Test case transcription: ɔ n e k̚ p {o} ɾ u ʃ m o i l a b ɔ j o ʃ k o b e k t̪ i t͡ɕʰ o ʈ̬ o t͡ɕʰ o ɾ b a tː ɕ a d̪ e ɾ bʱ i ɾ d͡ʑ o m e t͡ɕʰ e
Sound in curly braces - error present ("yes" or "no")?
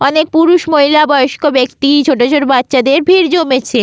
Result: yes